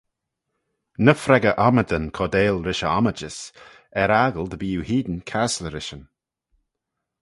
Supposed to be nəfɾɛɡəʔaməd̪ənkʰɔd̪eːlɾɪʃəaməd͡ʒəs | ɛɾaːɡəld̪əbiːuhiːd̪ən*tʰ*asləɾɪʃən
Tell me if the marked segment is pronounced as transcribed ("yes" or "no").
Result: no